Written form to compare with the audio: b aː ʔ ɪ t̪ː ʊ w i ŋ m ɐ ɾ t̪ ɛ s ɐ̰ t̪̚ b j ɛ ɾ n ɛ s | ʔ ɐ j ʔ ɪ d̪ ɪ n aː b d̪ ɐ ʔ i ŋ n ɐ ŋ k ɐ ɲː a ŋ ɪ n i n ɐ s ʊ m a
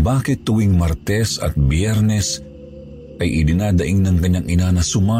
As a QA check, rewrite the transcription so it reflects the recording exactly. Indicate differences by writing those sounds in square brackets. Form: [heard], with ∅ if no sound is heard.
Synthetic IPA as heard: b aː [k] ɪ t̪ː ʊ w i ŋ m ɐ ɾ t̪ ɛ s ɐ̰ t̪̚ b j ɛ ɾ n ɛ s | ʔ ɐ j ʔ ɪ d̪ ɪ n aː [∅] d̪ ɐ ʔ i ŋ n ɐ ŋ k ɐ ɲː a ŋ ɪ n [a] n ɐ s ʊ m a